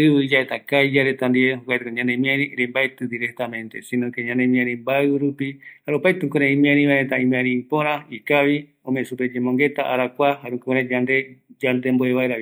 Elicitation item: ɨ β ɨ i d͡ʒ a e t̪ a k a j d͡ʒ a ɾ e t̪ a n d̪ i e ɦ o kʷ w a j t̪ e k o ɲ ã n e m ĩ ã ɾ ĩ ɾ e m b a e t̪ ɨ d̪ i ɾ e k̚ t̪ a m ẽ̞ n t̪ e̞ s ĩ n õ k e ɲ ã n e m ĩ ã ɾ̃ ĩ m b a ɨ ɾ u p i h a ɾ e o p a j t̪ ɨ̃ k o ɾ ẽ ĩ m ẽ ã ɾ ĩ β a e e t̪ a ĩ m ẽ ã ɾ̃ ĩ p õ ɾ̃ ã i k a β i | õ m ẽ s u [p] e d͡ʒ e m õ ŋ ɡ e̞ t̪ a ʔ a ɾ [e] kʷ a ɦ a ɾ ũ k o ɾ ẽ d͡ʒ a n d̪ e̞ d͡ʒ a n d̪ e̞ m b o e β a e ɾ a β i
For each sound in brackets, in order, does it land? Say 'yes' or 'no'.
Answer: yes, no

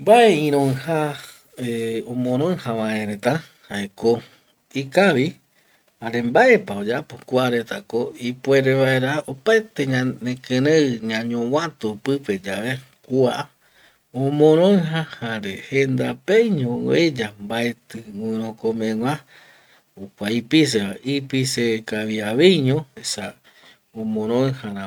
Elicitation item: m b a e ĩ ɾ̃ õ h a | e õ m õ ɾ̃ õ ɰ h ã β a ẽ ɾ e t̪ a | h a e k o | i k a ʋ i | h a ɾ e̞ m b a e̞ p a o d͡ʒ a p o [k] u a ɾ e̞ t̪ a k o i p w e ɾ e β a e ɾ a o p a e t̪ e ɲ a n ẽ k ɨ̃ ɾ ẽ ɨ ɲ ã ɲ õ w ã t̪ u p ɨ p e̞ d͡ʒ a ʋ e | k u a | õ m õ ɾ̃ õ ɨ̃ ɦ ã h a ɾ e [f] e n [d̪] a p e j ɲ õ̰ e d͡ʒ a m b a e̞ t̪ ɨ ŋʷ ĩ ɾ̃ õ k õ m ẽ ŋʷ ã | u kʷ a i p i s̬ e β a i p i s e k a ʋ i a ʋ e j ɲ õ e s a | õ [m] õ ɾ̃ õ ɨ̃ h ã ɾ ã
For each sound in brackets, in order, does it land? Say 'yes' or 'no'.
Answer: yes, no, yes, yes

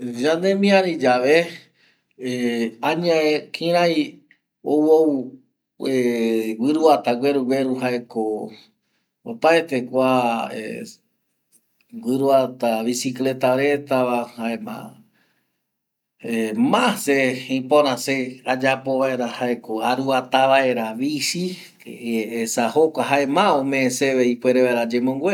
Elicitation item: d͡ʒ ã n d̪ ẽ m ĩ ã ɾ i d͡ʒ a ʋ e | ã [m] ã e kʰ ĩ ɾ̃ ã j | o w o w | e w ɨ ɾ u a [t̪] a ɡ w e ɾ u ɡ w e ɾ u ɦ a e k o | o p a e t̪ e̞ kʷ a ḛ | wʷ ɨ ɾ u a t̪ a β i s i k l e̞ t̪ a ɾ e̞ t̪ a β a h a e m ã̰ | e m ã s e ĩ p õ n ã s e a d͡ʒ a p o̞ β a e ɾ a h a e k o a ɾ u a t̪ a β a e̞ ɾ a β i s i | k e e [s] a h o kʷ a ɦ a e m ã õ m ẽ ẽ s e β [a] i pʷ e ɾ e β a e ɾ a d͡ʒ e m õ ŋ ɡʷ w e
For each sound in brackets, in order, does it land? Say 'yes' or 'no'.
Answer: no, yes, yes, no

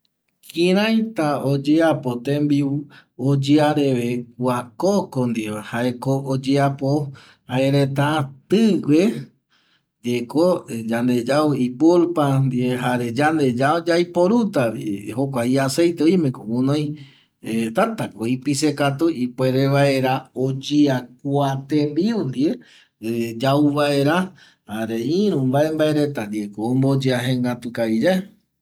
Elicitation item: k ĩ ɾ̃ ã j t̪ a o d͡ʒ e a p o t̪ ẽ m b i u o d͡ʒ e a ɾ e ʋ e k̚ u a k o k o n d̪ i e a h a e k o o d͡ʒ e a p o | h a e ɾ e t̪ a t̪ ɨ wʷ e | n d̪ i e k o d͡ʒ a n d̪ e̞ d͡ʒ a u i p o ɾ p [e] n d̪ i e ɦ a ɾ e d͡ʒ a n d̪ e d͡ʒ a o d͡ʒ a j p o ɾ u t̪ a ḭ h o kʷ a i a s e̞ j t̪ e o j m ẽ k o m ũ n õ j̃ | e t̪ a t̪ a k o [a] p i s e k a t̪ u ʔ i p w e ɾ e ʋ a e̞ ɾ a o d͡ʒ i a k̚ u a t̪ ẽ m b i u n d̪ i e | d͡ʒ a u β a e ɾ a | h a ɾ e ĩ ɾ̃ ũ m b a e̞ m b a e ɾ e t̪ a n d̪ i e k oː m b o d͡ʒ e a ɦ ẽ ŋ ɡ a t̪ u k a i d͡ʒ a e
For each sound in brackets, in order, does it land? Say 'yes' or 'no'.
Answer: no, no

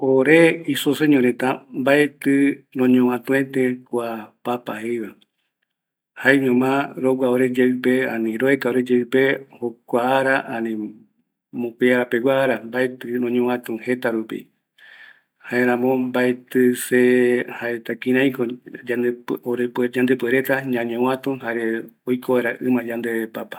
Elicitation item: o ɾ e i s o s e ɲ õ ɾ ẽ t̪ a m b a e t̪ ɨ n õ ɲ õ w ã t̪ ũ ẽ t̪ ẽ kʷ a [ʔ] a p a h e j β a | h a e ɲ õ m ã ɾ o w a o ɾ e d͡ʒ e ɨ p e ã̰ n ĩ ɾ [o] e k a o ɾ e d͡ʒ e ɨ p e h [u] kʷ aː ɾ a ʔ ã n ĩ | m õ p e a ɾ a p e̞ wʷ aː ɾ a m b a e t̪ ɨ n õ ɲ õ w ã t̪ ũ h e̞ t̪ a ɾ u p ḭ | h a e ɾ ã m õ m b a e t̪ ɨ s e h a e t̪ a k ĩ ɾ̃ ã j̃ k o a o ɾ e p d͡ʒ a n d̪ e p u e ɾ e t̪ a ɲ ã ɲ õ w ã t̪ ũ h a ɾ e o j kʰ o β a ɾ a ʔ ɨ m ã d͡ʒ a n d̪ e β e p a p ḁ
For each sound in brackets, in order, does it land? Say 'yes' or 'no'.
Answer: no, yes, no

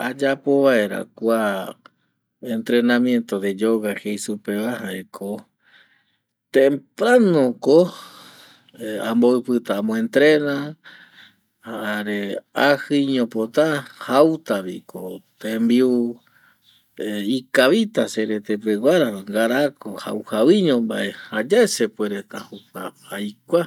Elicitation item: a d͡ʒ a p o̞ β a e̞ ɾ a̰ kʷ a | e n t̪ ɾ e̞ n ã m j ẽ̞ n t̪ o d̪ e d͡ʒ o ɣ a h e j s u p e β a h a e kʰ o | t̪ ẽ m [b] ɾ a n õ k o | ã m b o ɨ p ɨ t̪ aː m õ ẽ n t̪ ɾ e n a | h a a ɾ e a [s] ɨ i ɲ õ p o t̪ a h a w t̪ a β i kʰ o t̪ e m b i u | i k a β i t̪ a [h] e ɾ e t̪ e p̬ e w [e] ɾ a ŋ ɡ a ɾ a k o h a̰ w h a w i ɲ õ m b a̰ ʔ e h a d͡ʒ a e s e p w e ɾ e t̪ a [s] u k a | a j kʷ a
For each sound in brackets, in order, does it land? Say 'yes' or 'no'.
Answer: no, no, no, no, no

